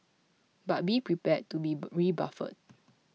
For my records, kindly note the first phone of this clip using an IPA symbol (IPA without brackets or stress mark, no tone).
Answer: b